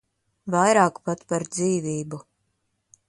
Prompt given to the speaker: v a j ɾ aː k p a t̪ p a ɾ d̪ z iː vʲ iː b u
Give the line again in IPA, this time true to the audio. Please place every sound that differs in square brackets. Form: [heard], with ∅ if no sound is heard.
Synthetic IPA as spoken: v a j ɾ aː k p a t̪ p a ɾ d̪ z iː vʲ iː b u